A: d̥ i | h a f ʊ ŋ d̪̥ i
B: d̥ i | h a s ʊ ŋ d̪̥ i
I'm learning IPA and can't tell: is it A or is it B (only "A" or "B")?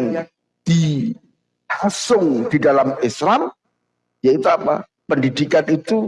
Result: B